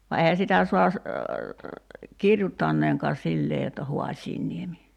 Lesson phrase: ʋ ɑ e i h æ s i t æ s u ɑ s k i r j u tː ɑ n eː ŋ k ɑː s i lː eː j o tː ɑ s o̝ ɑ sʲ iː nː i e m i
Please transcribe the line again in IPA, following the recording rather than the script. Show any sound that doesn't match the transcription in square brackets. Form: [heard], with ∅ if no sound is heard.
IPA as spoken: ʋ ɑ e i h æ s i t æ s u ɑ s k i r j u tː ɑ [nː] eː ŋ k ɑː s i lː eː j o tː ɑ [h] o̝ ɑ sʲ iː nː i e m i